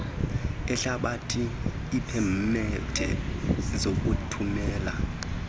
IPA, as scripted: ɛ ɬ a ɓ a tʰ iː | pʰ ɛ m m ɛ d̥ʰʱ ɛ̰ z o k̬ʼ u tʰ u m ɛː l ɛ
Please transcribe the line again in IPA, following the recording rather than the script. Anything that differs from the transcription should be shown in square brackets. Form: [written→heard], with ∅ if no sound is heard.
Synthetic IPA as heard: ɛ ɬ a ɓ a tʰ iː | pʰ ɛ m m ɛ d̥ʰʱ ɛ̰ z o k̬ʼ u tʰ u m ɛː l [ɛ→a]